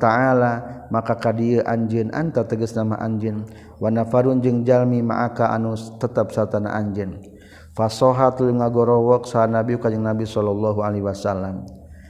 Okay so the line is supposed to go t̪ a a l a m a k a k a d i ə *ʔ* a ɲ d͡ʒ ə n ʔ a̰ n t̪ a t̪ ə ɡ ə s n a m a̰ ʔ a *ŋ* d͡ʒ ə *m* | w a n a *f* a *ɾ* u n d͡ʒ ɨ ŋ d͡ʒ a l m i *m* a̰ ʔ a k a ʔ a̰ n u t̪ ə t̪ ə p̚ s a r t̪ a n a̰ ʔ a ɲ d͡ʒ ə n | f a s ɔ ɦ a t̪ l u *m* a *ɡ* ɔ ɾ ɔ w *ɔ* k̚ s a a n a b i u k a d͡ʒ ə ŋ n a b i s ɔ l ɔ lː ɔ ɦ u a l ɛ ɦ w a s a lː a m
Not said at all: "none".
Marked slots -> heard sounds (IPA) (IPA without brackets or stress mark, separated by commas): ʔ, ɲ, n, f, ɾ, m, ŋ, ɡ, ɔ